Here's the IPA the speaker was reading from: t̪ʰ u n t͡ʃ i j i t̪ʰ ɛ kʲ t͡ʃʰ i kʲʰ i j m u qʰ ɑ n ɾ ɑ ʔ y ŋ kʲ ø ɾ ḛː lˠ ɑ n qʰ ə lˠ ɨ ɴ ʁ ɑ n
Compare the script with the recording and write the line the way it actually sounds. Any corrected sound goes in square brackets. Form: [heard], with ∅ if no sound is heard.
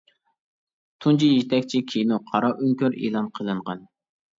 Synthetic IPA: t̪ʰ u n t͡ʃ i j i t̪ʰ ɛ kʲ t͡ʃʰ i kʲʰ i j [n] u qʰ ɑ [∅] ɾ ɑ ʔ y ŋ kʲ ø ɾ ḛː lˠ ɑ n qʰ ə lˠ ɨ ɴ ʁ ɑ n